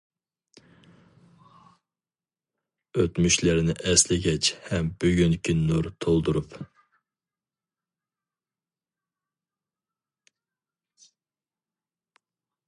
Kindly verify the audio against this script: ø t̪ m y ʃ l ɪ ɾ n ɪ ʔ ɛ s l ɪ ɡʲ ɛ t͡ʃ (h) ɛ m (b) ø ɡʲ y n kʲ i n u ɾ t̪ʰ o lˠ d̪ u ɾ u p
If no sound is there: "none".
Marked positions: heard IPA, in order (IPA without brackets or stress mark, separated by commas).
h, b